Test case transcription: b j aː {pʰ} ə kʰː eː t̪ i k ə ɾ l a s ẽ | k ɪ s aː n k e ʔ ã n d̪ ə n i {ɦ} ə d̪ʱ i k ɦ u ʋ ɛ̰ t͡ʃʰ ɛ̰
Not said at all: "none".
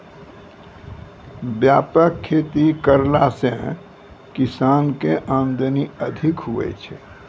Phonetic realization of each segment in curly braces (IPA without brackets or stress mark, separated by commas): p, none